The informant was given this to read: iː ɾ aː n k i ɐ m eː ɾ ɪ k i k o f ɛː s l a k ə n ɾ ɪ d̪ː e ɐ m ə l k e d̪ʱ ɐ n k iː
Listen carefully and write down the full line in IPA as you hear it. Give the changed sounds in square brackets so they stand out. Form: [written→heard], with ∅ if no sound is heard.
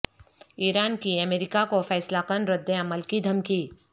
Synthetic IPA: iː ɾ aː n k i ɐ m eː ɾ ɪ k [i→a] k o f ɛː s l a k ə n ɾ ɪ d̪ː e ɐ m ə l k [e→i] d̪ʱ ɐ [n→m] k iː